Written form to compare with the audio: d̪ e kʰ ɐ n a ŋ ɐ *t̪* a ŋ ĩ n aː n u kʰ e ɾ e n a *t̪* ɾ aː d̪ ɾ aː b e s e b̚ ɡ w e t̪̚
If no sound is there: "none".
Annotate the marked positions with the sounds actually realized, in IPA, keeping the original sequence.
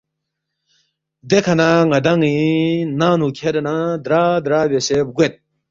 d̪, d̪

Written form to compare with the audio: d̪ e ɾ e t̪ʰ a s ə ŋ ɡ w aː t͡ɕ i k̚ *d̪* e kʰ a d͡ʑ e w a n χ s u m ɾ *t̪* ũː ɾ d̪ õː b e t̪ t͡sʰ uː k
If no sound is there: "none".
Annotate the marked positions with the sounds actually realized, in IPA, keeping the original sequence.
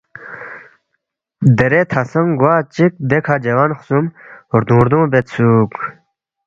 d̪, d̪

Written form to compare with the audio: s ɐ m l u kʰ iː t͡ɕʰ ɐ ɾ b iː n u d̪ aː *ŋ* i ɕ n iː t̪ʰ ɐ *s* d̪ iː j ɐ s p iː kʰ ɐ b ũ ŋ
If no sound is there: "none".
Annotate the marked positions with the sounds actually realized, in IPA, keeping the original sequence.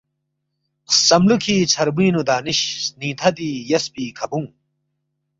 n, none

